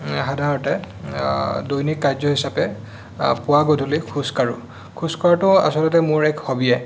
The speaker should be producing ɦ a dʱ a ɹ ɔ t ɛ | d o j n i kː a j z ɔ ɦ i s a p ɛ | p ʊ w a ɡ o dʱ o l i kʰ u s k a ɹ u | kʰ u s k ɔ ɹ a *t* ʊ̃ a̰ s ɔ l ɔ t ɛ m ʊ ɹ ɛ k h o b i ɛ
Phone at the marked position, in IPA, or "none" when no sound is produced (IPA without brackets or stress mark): t